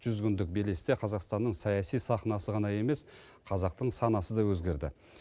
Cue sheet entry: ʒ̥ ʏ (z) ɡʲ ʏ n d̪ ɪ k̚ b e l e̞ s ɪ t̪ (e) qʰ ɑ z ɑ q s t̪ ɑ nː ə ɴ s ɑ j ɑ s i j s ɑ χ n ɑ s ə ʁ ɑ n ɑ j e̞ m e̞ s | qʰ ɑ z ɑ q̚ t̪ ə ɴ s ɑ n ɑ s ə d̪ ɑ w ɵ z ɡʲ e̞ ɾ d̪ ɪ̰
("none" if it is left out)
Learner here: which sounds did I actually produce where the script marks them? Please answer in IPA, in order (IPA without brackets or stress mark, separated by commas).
z, e